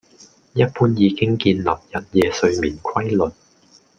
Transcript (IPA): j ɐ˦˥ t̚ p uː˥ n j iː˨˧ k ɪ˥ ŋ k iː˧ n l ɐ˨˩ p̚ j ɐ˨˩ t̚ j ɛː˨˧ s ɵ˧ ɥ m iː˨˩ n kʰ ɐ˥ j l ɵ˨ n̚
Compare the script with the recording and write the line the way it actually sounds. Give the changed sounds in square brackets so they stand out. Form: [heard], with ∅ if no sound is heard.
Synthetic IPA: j ɐ˦˥ t̚ p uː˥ n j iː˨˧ k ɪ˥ ŋ k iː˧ n l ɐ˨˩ p̚ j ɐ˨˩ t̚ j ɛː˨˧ s ɵ˧ ɥ m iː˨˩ n kʰ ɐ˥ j l ɵ˨ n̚